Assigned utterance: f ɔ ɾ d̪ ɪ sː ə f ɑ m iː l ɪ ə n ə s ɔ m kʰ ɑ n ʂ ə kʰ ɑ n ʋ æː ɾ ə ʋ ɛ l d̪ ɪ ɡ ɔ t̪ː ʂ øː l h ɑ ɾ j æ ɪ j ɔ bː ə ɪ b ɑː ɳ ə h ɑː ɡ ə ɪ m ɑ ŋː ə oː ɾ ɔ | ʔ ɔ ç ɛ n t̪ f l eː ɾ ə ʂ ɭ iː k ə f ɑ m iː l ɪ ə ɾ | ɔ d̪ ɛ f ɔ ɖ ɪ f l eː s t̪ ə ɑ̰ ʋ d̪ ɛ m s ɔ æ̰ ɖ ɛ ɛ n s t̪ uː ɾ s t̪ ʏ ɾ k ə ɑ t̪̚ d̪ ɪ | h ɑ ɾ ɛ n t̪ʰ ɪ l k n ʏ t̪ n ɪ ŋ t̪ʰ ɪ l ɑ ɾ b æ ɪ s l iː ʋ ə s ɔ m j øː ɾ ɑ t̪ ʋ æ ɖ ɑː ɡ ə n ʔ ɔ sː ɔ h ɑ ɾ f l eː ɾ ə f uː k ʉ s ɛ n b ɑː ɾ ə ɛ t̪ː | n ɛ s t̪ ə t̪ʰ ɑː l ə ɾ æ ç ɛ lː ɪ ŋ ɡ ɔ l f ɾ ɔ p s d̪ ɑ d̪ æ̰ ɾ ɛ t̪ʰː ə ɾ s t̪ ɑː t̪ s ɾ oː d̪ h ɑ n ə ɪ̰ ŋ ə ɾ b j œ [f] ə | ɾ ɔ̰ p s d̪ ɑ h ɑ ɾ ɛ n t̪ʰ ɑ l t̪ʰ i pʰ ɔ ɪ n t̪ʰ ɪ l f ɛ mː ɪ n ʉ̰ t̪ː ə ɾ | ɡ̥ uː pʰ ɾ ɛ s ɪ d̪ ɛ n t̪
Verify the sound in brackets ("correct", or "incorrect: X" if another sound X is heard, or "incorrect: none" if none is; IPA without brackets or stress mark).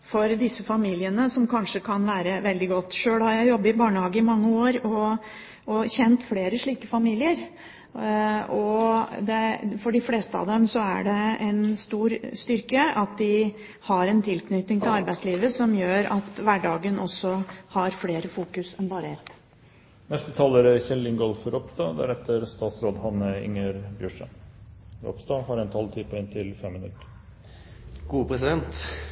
incorrect: ʂ